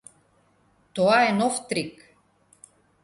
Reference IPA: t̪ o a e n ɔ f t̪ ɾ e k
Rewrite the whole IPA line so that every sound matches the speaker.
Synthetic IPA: t̪ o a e n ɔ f t̪ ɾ i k